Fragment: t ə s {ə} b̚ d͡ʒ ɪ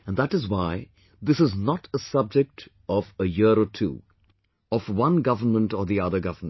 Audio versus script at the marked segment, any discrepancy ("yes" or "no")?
yes